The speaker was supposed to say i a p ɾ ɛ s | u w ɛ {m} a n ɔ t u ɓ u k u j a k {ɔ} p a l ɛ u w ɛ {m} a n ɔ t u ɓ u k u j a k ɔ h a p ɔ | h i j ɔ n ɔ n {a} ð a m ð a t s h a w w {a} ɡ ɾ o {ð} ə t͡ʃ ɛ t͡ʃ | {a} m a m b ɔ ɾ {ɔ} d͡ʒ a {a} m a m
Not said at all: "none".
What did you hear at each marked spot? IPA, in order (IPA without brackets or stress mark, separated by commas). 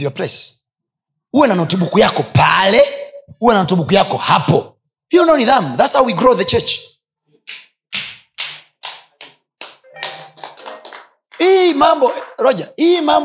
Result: n, ɔ, n, i, i, ð, i, ɔ, i